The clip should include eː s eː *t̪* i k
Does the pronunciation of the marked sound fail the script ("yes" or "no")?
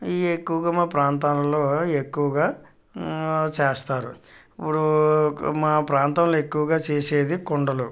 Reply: yes